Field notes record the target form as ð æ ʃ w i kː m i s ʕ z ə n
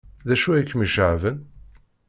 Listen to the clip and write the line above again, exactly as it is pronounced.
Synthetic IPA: ð æ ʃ u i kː m i ʃ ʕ v ə n